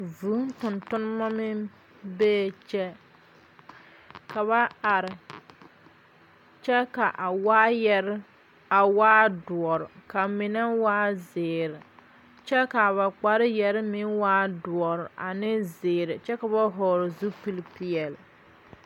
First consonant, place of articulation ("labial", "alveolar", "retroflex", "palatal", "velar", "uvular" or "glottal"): labial